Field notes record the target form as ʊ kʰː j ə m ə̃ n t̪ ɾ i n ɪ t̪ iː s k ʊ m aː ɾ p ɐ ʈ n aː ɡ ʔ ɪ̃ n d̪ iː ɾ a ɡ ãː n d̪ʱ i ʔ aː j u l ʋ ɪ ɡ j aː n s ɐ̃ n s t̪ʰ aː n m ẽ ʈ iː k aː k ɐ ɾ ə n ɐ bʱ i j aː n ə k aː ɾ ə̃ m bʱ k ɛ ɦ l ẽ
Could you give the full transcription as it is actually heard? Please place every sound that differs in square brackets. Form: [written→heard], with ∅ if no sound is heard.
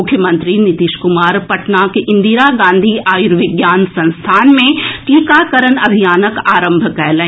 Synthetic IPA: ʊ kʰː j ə m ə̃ n t̪ ɾ i n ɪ t̪ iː [s→ʃ] k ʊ m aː ɾ p ɐ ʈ n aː [ɡ→k] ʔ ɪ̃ n d̪ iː ɾ a ɡ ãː n d̪ʱ i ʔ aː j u [l→ɾ] ʋ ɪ ɡ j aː n s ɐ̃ n s t̪ʰ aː n m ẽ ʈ iː k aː k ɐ ɾ ə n ɐ bʱ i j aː n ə k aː ɾ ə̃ m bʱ k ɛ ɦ l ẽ